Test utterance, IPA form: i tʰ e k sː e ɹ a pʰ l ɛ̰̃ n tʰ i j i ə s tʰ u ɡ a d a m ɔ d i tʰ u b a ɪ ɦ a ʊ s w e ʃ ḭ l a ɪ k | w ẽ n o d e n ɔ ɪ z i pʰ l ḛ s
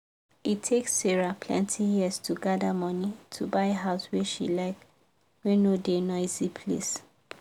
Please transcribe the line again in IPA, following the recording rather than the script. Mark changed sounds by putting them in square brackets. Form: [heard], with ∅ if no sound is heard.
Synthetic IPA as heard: i tʰ e k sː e ɹ a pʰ l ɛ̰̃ n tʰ i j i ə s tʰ u ɡ a d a m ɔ [n] i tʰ u b a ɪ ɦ a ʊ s w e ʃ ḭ l a ɪ k | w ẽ n o d e n ɔ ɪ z i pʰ l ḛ s